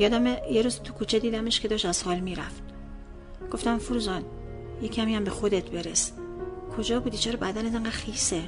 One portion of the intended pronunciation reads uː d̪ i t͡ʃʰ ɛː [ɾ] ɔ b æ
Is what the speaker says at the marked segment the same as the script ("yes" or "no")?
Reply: yes